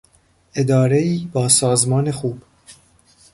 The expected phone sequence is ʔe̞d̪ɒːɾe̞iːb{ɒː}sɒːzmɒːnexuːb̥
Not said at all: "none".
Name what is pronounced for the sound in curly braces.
ɒː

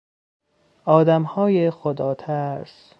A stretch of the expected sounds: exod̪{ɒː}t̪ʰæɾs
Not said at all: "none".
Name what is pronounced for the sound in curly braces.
ɒː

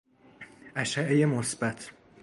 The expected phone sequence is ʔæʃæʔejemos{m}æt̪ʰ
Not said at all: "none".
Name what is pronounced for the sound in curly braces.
b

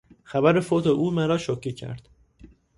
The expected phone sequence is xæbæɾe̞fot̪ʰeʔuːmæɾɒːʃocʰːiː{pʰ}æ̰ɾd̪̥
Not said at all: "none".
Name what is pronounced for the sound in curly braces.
cʰ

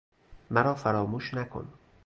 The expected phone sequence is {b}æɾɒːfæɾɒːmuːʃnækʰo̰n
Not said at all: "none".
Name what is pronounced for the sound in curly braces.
m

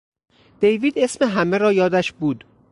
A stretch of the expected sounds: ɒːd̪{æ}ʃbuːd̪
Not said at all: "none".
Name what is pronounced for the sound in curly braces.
æ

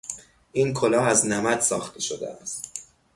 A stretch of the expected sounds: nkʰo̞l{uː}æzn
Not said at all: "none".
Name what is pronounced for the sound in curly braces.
ɒː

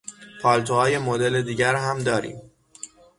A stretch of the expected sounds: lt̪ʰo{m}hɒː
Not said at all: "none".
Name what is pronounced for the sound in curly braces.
none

